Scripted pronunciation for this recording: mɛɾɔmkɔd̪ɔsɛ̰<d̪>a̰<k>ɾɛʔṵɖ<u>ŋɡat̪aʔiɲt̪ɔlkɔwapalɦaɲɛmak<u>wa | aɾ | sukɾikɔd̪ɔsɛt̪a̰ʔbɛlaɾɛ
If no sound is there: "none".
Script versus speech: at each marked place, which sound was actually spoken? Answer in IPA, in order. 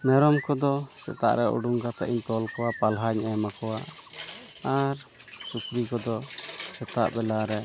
t̪, ʔ, u, ɔ

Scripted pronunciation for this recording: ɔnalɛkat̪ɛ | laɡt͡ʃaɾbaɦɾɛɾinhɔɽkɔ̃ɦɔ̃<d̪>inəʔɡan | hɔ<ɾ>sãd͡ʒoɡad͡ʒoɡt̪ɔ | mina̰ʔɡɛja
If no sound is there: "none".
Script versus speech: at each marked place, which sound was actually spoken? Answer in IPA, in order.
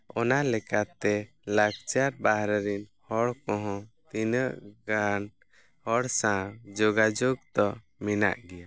t̪, ɽ

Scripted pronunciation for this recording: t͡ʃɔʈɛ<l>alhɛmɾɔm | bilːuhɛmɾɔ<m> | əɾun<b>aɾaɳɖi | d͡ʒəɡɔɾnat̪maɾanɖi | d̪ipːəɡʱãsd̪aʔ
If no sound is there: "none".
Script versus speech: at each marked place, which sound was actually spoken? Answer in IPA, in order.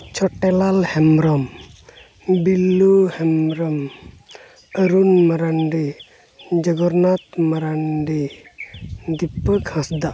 l, m, m

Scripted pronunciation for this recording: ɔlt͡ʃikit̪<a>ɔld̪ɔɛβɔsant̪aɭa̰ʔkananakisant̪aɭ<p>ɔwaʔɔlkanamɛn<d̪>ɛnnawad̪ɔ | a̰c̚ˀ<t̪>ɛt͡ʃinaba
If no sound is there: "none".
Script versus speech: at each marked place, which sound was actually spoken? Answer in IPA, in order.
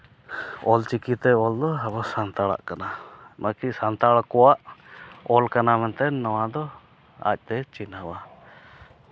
ɛ, k, t̪, t̪

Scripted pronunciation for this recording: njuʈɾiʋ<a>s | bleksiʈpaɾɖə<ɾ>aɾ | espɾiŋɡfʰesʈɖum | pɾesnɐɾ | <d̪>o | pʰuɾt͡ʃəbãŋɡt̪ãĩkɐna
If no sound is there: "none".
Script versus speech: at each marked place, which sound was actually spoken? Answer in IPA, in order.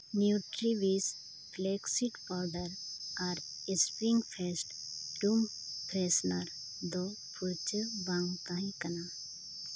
i, ɾ, d̪

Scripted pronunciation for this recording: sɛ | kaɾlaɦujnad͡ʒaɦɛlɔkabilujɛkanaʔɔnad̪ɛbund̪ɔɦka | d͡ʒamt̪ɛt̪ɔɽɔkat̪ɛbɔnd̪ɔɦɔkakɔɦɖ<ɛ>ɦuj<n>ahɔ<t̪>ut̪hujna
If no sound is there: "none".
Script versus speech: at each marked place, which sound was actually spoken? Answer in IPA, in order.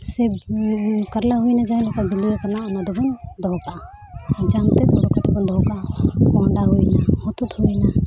a, n, t̪

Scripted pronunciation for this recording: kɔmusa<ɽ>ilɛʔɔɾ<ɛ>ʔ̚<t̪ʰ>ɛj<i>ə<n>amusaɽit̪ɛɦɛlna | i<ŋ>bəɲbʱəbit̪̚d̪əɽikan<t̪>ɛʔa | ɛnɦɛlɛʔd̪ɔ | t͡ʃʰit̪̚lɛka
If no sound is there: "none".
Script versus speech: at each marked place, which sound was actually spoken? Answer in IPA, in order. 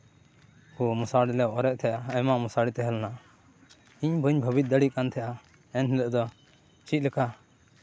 ɽ, ɛ, t̪ʰ, a, m, ɲ, t̪ʰ

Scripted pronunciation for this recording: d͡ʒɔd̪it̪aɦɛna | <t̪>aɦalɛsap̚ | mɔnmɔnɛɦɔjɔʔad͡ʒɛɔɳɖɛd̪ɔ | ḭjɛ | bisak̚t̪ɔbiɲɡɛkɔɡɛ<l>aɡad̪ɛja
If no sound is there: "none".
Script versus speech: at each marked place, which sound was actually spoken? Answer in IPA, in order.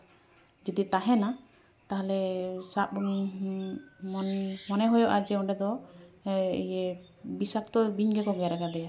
t̪, ɾ

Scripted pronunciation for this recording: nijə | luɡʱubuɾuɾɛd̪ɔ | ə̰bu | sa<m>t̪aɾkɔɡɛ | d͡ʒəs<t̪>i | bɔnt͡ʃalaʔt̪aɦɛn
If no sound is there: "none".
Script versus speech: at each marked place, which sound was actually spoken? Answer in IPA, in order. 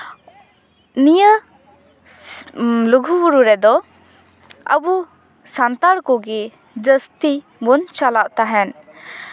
n, t̪

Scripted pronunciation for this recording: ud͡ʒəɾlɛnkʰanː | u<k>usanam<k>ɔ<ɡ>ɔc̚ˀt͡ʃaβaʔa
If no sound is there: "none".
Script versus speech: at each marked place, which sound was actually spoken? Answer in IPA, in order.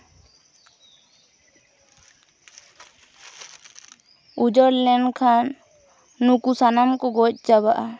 k, k, ɡ

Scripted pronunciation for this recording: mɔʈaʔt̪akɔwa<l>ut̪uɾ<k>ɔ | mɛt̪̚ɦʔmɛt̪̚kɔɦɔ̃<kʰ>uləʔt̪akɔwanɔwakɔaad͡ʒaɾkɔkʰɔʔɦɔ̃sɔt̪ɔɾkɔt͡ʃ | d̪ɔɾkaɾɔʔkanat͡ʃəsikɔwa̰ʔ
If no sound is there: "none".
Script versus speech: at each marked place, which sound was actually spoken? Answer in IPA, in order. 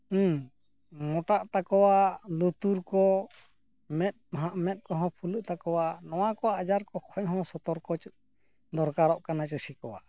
l, k, pʰ

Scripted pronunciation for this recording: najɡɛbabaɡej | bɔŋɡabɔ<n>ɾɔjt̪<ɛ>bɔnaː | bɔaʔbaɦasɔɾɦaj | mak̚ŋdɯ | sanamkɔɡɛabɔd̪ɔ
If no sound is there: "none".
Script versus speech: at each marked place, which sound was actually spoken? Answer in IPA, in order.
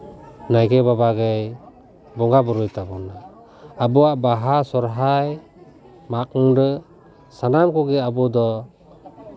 none, a

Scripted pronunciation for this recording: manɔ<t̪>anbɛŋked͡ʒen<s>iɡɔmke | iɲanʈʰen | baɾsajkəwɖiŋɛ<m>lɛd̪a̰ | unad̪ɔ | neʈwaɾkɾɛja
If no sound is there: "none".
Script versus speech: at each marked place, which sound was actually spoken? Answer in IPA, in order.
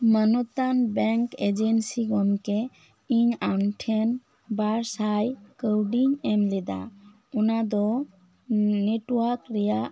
t̪, s, m

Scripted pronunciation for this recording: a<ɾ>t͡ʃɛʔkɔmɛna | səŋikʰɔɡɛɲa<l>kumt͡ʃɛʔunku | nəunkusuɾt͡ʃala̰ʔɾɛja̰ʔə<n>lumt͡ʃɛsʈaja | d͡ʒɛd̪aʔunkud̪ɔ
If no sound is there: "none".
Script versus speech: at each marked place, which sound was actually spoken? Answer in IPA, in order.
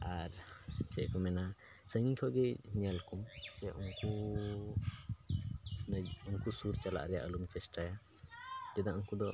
ɾ, l, none

